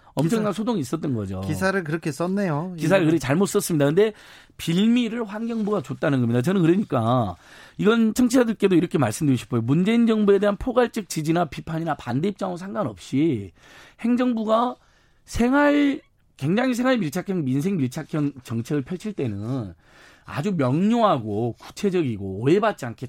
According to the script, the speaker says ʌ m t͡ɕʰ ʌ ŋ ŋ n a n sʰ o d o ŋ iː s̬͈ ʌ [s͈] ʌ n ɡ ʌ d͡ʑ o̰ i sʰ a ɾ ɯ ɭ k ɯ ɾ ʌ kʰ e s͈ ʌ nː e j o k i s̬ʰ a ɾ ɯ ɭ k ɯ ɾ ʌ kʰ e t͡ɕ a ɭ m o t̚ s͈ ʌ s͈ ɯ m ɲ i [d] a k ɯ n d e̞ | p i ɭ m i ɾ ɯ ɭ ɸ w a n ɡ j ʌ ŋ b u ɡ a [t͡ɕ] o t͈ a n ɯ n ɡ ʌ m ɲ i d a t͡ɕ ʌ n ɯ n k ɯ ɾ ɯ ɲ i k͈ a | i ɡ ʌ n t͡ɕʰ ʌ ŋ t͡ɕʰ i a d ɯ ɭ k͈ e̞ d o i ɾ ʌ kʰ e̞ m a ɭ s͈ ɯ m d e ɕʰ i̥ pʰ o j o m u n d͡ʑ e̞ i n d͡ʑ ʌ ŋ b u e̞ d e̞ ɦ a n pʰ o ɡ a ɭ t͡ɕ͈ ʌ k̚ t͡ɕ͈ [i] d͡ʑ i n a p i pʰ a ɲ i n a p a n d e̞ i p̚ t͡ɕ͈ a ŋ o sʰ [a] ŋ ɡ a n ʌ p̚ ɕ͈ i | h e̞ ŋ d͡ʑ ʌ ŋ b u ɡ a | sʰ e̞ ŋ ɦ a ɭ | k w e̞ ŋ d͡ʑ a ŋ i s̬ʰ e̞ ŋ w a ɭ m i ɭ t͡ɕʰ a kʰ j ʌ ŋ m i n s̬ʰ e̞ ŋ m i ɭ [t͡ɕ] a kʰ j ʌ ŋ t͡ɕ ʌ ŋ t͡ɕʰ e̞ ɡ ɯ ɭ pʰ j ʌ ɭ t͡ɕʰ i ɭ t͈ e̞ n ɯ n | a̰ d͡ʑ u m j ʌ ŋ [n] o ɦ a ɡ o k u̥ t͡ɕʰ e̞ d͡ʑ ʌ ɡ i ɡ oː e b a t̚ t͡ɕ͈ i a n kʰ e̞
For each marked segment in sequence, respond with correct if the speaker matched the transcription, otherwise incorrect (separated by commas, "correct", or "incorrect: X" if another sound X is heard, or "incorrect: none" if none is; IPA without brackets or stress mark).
incorrect: t͈, correct, correct, correct, correct, incorrect: t͡ɕʰ, incorrect: ɲ